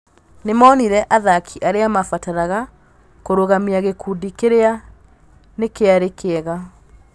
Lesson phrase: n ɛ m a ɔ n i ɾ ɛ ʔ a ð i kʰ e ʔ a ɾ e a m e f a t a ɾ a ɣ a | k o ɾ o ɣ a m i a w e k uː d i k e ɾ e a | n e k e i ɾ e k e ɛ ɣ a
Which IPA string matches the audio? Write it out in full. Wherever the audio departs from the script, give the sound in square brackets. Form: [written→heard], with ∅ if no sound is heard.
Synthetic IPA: n [ɛ→e] m a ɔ n i ɾ ɛ ʔ a ð [i→a] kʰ [e→i] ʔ a ɾ e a m [e→a] f a t a ɾ a ɣ a | k o ɾ o ɣ a m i a [w→ɣ] e k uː d i k e ɾ e a | n e k e [i→a] ɾ e k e ɛ ɣ a